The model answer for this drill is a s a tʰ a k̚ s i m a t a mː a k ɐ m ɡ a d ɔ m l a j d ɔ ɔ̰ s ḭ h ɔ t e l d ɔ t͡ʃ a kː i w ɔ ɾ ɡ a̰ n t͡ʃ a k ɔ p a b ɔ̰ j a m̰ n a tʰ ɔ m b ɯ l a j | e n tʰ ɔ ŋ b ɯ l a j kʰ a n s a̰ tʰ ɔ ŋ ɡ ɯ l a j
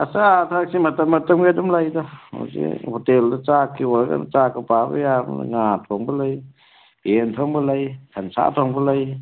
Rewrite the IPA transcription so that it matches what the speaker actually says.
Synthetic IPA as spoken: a s a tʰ a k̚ s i m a t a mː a t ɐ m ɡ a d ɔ m l a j d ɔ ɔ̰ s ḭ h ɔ t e l d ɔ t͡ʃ a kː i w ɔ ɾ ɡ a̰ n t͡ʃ a k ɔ p a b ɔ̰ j a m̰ ŋ a tʰ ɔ ŋ b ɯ l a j | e n tʰ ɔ ŋ b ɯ l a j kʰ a n s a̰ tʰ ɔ ŋ b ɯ l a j

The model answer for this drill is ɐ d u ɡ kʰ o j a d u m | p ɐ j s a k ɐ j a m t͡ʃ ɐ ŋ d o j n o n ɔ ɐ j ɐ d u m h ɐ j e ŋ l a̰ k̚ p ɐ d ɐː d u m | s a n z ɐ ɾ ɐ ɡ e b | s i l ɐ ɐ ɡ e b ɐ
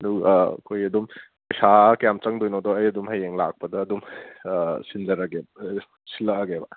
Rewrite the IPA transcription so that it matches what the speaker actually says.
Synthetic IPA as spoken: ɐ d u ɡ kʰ o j ɐ d u m | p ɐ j s a k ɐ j a m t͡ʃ ɐ ŋ d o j n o d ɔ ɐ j ɐ d u m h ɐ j e ŋ l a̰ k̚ p ɐ d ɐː d u m | s i n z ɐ ɾ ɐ ɡ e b | s i l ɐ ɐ ɡ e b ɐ

